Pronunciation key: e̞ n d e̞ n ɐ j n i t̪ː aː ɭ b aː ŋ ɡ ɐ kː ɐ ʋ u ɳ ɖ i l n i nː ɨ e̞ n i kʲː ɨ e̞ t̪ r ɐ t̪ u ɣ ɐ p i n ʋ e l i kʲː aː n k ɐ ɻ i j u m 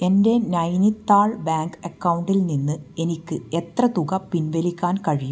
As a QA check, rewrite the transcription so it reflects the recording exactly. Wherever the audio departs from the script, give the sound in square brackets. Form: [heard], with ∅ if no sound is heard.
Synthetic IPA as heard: e̞ n d e̞ n ɐ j n i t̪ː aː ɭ b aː ŋ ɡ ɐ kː ɐ [w] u ɳ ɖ i l n i nː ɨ e̞ n i kʲː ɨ e̞ t̪ r ɐ t̪ u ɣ ɐ p i n ʋ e l i kʲː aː n k ɐ ɻ i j u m